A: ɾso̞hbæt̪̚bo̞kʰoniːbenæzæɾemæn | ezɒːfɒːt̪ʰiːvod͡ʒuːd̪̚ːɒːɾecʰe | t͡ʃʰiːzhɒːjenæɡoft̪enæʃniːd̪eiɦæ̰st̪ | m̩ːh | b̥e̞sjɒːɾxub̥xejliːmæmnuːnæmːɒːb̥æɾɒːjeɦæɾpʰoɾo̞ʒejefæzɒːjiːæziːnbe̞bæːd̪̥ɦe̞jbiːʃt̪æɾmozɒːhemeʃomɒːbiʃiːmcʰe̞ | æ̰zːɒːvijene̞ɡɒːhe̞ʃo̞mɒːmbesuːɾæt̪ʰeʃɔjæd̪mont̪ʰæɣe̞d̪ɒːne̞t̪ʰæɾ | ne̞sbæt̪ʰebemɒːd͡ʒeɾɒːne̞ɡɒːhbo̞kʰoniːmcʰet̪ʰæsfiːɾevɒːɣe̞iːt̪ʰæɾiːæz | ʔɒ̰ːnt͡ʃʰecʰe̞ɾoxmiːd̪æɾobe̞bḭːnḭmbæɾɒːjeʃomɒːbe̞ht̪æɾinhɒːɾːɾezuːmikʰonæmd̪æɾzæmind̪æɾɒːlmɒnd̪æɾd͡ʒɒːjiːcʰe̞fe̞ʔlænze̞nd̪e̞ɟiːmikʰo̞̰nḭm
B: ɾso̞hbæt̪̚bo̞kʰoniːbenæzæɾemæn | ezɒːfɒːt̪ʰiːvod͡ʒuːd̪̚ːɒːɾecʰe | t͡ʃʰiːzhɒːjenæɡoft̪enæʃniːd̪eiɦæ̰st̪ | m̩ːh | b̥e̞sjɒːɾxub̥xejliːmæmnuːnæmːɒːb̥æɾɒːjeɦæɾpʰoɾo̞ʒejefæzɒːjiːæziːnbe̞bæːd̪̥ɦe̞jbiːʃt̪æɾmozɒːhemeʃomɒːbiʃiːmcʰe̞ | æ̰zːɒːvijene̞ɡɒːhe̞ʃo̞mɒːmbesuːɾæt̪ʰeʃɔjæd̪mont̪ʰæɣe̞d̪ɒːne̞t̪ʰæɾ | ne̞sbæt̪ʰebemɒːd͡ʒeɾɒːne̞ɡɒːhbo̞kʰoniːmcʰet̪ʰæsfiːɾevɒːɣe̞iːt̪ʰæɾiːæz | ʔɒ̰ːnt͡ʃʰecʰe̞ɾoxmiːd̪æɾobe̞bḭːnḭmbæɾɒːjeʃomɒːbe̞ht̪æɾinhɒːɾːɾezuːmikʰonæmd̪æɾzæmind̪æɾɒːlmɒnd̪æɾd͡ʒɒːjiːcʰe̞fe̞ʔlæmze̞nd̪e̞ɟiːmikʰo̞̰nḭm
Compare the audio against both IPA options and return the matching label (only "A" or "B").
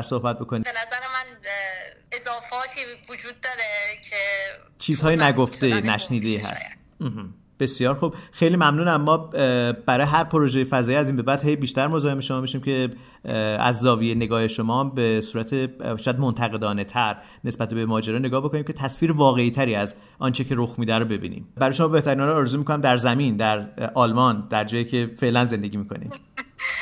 A